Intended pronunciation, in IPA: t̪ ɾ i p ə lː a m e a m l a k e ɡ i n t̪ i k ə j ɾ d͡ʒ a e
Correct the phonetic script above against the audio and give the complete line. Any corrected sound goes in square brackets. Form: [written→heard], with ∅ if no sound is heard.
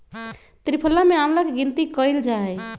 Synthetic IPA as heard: t̪ ɾ i [p→pʰ] ə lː a m e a m l a k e ɡ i n t̪ i k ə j [ɾ→l] d͡ʒ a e